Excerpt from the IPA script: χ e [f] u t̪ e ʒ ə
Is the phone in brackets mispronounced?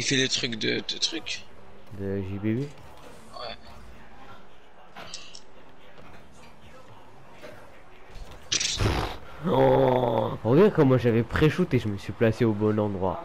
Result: yes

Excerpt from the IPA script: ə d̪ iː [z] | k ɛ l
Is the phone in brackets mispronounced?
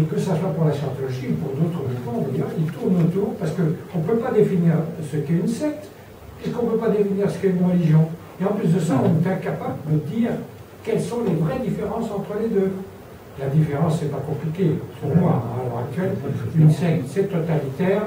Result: yes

